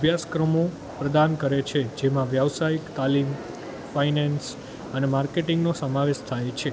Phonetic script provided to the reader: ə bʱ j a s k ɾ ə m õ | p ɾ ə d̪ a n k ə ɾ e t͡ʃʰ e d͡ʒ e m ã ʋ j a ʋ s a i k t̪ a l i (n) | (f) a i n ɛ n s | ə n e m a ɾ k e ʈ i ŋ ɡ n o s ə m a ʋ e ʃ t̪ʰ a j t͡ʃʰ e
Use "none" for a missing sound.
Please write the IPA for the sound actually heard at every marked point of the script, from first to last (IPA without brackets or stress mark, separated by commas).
m, f